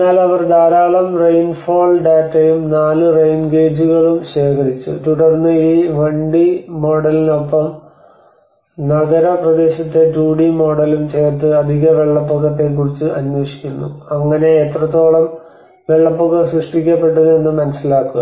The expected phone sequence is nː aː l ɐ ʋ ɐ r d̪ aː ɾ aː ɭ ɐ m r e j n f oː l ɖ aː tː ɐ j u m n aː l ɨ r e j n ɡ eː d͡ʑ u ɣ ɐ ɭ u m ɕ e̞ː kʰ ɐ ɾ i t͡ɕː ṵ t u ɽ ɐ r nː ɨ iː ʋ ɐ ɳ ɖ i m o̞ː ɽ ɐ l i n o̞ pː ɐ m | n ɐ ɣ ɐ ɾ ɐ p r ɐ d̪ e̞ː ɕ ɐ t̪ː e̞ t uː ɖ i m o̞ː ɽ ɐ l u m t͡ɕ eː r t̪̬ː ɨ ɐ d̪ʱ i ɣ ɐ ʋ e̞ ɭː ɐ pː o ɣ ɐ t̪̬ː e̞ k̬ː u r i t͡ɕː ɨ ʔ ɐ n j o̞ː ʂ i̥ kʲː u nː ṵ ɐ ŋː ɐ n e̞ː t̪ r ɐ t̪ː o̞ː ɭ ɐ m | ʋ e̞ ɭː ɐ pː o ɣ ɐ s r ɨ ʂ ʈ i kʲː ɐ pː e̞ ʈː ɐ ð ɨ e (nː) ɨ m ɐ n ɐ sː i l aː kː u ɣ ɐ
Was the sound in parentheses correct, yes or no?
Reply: yes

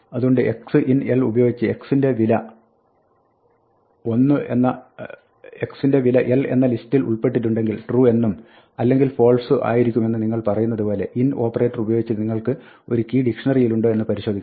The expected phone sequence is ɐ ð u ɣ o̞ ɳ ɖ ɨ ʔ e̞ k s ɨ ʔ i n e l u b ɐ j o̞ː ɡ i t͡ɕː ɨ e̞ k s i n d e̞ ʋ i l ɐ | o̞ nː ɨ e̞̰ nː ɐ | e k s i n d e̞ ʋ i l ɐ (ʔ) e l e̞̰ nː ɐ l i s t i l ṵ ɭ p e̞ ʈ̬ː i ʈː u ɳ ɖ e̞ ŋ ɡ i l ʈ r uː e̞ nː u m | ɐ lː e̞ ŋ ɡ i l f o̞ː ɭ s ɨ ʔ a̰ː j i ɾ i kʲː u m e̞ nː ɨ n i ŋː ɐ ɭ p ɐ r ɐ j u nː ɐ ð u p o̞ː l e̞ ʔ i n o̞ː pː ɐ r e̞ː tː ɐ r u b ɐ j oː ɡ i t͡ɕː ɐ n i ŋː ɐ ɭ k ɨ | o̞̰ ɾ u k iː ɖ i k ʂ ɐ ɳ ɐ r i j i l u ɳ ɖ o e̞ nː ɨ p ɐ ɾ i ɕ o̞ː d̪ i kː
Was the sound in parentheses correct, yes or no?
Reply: yes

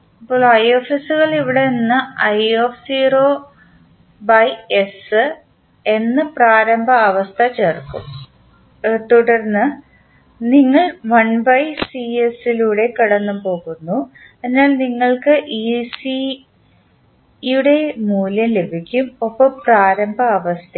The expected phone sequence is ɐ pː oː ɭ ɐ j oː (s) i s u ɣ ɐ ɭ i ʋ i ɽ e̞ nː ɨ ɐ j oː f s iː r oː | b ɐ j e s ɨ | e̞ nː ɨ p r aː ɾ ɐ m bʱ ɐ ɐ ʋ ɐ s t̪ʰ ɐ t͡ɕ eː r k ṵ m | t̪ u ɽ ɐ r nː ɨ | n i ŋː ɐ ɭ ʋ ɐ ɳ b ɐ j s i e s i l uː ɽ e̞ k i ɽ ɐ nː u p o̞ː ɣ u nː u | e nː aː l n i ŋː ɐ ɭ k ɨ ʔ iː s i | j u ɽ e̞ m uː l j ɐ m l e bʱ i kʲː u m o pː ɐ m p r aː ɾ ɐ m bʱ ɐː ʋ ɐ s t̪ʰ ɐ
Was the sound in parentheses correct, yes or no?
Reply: no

